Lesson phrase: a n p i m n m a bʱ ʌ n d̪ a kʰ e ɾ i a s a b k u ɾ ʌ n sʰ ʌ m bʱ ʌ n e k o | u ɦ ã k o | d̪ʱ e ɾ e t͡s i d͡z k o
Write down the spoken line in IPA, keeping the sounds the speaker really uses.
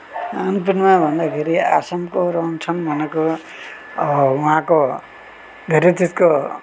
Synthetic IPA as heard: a n p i n m a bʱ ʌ n d̪ a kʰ e ɾ i a s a m k o ɾ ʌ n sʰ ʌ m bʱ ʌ n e k o | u ɦ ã k o | d̪ʱ e ɾ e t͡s i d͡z k o

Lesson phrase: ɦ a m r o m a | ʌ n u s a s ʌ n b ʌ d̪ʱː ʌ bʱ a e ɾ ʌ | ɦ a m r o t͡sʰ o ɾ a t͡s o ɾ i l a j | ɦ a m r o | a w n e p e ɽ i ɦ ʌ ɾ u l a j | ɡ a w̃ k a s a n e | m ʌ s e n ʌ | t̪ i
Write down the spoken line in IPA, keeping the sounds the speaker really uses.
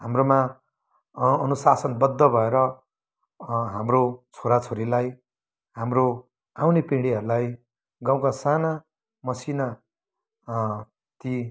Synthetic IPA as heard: ɦ a m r o m a | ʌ n u s a s ʌ n b ʌ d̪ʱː ʌ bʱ ʌ e ɾ ʌ | ɦ a m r o t͡sʰ o ɾ a t͡sʰ o ɾ i l a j | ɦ a m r o | a w n e p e ɽ i ɦ ʌ ɾ u l a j | ɡ a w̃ k a s a n a | m ʌ s i n a | t̪ i

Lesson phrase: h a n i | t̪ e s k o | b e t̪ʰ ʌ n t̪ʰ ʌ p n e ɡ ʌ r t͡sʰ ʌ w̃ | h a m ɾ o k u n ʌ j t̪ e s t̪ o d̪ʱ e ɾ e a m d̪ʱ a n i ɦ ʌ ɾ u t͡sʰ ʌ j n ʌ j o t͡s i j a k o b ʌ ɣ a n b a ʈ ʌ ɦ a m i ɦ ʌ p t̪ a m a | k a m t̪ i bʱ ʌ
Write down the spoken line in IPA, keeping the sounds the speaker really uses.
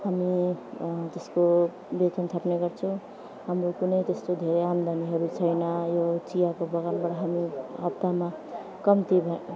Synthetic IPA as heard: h a m i | t̪ e s k o | b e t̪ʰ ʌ n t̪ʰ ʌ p n e ɡ ʌ r t͡sʰ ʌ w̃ | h a m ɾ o k u n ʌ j t̪ e s t̪ o d̪ʱ e ɾ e a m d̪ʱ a n i ɦ ʌ ɾ u t͡sʰ ʌ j n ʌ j o t͡s i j a k o b ʌ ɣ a n b a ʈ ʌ ɦ a m i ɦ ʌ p t̪ a m a | k ʌ m t̪ i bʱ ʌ

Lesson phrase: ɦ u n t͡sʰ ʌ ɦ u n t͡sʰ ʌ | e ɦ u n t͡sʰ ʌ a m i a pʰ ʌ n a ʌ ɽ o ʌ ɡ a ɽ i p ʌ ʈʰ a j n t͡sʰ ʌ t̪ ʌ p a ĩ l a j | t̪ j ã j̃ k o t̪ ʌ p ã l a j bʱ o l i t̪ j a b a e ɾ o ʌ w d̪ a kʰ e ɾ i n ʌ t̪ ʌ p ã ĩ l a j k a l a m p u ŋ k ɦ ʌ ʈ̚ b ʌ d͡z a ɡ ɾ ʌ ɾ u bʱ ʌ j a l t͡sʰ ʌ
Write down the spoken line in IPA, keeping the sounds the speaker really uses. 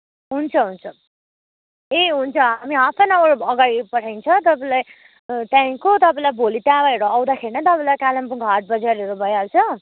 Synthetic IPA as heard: ɦ u n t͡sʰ ʌ ɦ u n t͡sʰ ʌ | e ɦ u n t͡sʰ ʌ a m i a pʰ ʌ n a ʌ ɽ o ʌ ɡ a ɽ i p ʌ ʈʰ a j n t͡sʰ ʌ t̪ ʌ p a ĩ l a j | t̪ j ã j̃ k o t̪ ʌ p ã l a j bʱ o l i t̪ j a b a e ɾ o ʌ w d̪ a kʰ e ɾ i n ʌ t̪ ʌ p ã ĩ l a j k a l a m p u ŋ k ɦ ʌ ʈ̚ b ʌ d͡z a ɾ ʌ ɾ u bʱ ʌ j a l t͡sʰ ʌ

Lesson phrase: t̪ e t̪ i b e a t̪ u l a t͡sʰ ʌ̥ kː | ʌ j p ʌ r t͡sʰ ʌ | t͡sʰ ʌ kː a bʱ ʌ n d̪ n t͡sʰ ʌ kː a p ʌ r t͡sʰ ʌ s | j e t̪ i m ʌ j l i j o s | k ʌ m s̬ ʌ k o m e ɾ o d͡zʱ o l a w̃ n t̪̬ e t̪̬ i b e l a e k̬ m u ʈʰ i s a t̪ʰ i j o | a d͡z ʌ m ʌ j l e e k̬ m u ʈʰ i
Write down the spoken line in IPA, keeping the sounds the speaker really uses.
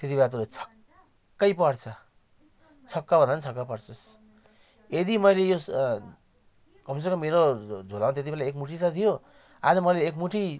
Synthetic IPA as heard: t̪ e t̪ i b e a t̪ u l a t͡sʰ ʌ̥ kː | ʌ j p ʌ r t͡sʰ ʌ | t͡sʰ ʌ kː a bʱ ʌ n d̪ n t͡sʰ ʌ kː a p ʌ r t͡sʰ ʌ s | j e d̪ i m ʌ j l e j o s | k ʌ m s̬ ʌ k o m e ɾ o d͡zʱ o l a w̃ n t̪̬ e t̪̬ i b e l a e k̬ m u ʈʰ i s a t̪ʰ i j o | a d͡z ʌ m ʌ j l e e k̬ m u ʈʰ i

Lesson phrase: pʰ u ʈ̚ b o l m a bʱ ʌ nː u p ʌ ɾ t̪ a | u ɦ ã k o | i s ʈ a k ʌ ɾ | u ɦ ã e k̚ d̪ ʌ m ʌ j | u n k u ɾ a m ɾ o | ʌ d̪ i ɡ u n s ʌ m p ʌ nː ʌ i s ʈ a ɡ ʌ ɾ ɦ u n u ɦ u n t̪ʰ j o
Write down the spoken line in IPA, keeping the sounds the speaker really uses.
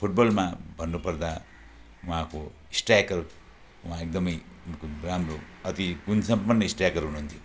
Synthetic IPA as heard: pʰ u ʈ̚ b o l m a bʱ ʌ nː u p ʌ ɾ d̪ a | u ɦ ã k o | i s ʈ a k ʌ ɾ | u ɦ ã e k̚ d̪ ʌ m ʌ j | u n k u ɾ a m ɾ o | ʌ t̪ i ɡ u n s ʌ m p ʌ nː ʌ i s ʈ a k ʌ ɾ ɦ u n u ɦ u n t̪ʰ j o

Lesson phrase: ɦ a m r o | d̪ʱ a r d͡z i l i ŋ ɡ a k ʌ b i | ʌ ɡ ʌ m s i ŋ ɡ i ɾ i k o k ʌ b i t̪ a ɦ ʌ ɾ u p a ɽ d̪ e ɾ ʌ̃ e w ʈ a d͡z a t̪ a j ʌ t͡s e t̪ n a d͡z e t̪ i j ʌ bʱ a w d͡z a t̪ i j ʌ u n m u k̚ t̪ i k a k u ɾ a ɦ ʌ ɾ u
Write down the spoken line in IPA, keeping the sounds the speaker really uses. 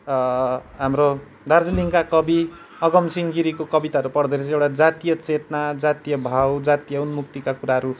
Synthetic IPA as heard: ɦ a m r o | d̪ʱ a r d͡z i l i ŋ k a k ʌ b i | ʌ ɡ ʌ m s i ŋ ɡ i ɾ i k o k ʌ b i t̪ a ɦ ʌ ɾ u p ʌ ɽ d̪ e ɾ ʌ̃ e w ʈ a d͡z a t̪ i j ʌ t͡s e t̪ n a d͡z a t̪ i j ʌ bʱ a w d͡z a t̪ i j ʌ u n m u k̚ t̪ i k a k u ɾ a ɦ ʌ ɾ u

